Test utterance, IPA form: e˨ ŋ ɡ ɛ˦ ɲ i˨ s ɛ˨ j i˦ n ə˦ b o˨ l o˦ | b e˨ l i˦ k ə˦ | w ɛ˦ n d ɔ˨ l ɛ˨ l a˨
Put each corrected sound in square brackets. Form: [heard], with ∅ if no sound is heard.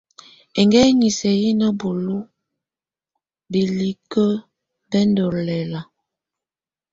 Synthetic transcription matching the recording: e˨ ŋ ɡ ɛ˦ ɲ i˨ s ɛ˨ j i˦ n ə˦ b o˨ l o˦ | b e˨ l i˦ k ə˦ | [b] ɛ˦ n d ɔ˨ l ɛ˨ l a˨